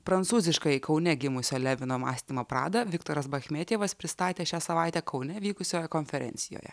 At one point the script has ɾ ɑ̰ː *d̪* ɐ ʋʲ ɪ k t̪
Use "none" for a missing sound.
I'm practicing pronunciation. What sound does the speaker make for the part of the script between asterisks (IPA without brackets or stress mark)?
d̪